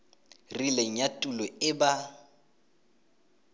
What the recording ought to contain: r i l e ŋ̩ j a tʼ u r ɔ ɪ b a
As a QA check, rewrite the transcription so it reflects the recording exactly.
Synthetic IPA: r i l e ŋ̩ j a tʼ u l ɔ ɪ b a

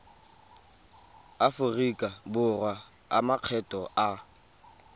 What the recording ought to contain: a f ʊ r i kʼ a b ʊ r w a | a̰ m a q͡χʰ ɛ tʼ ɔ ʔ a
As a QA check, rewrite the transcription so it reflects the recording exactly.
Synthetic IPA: a f ʊ r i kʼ a b ʊ r w a | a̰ m a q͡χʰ ɛ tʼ ɔ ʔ a

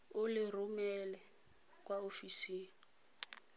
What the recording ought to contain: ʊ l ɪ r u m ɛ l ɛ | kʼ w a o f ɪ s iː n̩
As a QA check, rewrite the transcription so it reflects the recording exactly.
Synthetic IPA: ʊ l ɪ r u m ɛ l ɛ | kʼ w a o f i s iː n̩

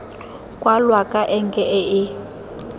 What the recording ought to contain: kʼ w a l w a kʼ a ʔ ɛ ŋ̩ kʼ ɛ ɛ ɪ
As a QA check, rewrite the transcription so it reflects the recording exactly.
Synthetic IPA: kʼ w a l w a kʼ a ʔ ɛ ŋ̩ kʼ ɛ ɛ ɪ

